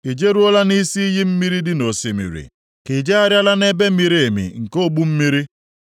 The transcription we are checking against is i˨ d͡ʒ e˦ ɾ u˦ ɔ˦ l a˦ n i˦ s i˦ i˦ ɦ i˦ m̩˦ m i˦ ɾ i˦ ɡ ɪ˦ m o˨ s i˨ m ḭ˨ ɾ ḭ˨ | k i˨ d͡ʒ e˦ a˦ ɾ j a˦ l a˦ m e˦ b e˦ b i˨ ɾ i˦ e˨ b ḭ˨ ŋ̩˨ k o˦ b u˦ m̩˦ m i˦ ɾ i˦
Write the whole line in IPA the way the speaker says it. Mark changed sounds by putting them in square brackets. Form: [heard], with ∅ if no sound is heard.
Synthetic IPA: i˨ d͡ʒ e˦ ɾ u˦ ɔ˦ l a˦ n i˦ s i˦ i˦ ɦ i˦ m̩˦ m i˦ ɾ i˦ [d] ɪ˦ [n] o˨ s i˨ m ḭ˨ ɾ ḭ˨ | k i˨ d͡ʒ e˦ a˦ ɾ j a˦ l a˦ [n] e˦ b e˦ [m] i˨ ɾ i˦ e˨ [m] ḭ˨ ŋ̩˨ k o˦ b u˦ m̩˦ m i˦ ɾ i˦